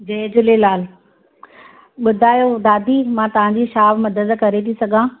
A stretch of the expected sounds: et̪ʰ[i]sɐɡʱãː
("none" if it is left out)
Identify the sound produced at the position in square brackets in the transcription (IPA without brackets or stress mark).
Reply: i